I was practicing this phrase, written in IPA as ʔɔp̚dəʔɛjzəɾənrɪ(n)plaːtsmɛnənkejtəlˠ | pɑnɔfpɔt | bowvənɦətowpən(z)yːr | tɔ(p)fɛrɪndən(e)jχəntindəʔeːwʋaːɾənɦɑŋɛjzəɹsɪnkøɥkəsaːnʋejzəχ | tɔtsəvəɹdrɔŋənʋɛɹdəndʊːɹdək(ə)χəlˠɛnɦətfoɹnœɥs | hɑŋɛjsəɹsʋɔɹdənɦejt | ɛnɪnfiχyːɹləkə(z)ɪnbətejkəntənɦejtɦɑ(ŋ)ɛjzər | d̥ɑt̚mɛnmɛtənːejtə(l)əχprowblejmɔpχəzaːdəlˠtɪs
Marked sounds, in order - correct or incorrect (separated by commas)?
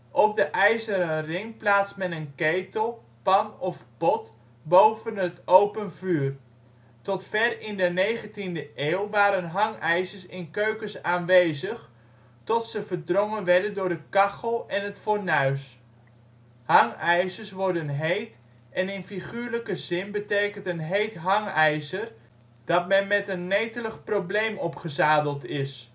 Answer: incorrect, incorrect, incorrect, correct, incorrect, correct, correct, correct